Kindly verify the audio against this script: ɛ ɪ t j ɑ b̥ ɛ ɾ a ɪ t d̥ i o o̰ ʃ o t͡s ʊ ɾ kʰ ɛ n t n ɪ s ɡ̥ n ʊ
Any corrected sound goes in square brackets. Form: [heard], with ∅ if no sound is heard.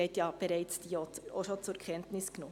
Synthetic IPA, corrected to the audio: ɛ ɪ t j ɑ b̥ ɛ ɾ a ɪ [t͡s] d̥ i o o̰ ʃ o t͡s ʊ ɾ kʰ ɛ n t n ɪ s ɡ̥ n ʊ